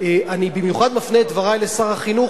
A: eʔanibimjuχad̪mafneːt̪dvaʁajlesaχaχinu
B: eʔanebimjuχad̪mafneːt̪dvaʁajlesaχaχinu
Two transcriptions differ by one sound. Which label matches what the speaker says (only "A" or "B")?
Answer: A